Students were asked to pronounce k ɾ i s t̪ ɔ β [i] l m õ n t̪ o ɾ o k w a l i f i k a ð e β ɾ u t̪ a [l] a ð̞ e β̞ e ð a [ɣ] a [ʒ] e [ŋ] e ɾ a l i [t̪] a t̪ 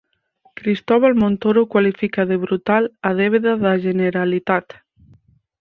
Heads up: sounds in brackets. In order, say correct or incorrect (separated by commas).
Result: incorrect, correct, incorrect, correct, incorrect, correct